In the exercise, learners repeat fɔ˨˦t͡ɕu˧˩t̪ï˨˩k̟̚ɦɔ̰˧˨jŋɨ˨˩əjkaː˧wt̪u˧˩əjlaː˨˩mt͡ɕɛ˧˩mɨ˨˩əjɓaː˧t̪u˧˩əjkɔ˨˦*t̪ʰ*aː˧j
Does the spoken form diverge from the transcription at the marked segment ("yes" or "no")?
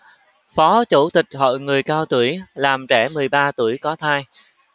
no